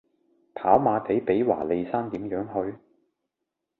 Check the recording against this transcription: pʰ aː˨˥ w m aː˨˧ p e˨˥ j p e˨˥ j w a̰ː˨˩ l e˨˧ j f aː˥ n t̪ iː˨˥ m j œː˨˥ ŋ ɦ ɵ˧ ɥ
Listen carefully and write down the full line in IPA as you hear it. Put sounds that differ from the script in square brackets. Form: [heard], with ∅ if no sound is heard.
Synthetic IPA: pʰ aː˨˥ w m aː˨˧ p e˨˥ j p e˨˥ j w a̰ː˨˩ l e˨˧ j [s] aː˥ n t̪ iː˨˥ m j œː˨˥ ŋ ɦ ɵ˧ ɥ